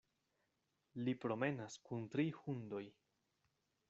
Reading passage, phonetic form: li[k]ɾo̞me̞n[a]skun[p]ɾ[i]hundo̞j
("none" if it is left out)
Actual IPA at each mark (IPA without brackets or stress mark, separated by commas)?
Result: p, a, t, i